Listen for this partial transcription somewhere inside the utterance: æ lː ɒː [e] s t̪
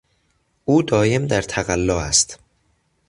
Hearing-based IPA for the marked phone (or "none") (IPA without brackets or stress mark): æ